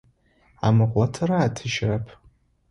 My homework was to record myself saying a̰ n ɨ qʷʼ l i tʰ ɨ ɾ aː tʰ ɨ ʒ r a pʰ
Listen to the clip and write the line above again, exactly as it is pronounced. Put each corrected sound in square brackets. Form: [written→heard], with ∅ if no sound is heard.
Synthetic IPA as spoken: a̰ [n→m] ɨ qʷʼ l [i→a] tʰ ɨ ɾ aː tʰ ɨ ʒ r a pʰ